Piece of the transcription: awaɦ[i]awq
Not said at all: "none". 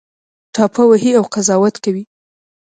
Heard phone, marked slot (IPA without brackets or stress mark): i